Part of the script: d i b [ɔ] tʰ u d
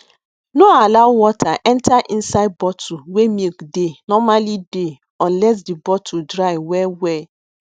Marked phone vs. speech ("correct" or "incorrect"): correct